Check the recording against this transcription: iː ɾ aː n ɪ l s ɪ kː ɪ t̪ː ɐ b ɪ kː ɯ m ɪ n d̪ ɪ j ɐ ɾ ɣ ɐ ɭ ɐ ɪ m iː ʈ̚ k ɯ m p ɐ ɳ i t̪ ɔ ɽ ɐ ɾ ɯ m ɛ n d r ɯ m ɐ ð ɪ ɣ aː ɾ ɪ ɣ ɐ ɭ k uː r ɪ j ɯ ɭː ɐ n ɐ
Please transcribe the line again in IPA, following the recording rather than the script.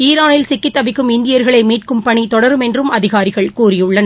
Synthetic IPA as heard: iː ɾ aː n ɪ l s ɪ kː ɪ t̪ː ɐ b ɪ kː ɯ m ɪ n d̪ ɪ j ɐ ɾ ɣ ɐ ɭ ɐ ɪ m iː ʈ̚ k ɯ m p ɐ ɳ i t̪ ɔ ɽ ɐ ɾ ɯ m ɛ n d r ɯ m ɐ ð ɪ ɣ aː ɾ ɪ ɣ ɐ ɭ k uː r ɪ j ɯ ɭː ɐ n ɐ